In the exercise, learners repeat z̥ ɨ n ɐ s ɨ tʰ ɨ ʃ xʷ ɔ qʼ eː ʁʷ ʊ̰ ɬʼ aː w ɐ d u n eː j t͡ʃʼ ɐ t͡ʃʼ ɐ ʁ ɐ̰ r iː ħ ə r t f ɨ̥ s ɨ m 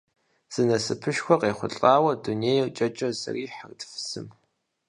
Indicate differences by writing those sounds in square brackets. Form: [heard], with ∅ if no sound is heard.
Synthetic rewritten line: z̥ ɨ n ɐ s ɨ [pʰ] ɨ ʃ xʷ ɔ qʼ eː [χʷ] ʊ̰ ɬʼ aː w ɐ d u n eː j t͡ʃʼ ɐ t͡ʃʼ ɐ [z] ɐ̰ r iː ħ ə r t f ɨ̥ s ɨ m